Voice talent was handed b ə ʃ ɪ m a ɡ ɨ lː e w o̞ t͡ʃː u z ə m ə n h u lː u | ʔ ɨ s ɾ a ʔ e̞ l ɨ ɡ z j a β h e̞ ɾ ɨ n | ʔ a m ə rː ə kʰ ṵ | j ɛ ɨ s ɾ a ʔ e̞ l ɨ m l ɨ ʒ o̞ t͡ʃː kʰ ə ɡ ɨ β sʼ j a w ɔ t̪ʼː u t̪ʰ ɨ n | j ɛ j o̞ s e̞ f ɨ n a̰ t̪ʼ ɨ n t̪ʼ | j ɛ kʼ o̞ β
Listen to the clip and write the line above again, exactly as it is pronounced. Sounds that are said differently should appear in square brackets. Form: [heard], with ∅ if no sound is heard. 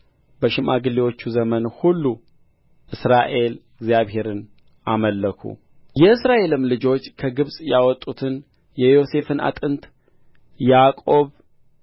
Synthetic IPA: b ə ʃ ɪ m a ɡ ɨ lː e w o̞ t͡ʃː u z ə m ə n h u lː u | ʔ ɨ s ɾ a ʔ e̞ l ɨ ɡ z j a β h e̞ ɾ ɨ n | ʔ a m ə [lː] ə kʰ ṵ | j ɛ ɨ s ɾ a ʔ e̞ l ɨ m l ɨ [d͡ʒ] o̞ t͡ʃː kʰ ə ɡ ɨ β sʼ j a w ɔ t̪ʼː u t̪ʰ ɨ n | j ɛ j o̞ s e̞ f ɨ n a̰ t̪ʼ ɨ n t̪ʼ | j [a] kʼ o̞ β